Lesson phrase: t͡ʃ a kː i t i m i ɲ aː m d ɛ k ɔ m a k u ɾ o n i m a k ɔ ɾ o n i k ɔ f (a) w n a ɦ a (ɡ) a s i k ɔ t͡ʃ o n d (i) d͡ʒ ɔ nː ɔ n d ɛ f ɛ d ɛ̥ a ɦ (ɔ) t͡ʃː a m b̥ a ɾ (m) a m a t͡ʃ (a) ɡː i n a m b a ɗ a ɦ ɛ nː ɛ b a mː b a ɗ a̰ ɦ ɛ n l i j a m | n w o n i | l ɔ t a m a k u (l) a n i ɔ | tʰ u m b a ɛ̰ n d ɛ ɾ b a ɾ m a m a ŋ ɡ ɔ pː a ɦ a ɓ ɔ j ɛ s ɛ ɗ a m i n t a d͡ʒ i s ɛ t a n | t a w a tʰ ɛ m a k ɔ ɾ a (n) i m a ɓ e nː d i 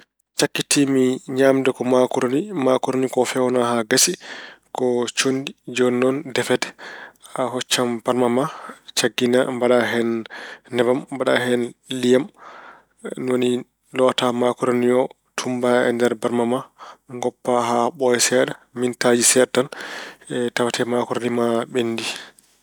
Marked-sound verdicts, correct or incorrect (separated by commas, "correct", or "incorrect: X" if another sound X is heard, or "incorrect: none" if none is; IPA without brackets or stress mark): incorrect: ɛ, correct, correct, correct, correct, correct, incorrect: ɾ, correct